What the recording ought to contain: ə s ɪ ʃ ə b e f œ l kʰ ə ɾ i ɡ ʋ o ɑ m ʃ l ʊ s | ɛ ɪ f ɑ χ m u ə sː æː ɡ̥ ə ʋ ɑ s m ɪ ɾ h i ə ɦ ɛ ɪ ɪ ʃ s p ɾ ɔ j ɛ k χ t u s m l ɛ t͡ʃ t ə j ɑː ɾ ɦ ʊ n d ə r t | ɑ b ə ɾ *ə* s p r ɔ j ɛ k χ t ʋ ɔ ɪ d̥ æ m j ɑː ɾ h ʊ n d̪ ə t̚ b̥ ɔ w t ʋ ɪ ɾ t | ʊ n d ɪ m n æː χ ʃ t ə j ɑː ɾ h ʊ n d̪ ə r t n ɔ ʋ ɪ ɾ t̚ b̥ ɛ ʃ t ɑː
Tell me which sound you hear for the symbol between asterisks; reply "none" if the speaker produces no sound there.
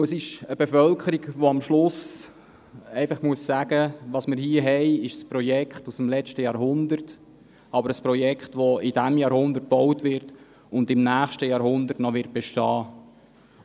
ə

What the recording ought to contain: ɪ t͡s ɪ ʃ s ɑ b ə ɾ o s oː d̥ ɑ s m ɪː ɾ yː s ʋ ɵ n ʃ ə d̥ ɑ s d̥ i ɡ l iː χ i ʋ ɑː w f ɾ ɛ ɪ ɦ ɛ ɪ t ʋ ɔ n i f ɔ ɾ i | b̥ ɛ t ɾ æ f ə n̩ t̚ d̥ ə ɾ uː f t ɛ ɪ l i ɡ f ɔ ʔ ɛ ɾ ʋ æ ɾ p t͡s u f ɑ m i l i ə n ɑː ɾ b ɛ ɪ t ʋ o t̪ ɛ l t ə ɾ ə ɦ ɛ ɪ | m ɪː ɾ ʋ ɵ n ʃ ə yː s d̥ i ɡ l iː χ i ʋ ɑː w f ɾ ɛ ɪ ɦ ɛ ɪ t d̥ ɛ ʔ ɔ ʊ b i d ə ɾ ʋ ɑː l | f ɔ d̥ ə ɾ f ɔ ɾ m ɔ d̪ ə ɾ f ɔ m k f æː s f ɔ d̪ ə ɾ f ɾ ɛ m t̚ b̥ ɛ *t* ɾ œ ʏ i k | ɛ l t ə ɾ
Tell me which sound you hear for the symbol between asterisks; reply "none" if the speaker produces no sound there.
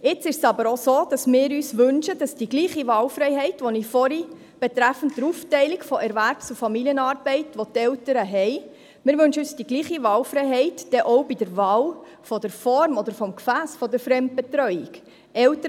t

